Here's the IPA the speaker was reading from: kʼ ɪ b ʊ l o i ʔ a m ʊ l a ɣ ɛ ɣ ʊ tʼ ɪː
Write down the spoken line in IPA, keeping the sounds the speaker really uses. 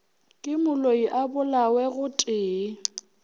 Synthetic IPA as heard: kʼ ɪ m ʊ l o i ʔ a b ʊ l a w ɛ ɣ ʊ tʼ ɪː